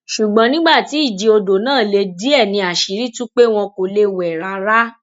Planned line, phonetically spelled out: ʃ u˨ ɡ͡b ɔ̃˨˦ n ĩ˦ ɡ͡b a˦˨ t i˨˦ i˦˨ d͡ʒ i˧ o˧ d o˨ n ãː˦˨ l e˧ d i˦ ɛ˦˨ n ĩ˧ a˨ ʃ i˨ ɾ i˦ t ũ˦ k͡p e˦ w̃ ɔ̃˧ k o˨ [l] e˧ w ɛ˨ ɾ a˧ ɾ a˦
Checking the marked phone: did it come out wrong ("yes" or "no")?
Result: no